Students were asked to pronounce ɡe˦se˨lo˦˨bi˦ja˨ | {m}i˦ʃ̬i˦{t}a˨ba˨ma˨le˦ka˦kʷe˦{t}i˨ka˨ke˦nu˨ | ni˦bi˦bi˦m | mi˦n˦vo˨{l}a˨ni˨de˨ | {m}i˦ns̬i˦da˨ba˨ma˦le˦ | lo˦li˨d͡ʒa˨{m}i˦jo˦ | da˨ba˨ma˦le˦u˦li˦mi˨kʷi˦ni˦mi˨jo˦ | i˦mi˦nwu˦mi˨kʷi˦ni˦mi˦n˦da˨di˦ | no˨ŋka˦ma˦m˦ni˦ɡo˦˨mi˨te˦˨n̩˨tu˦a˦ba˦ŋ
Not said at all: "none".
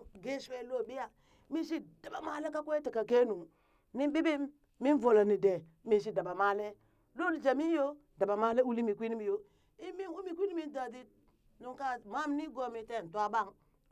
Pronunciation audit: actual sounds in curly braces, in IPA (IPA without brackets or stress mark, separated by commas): m, d, t, l, m, m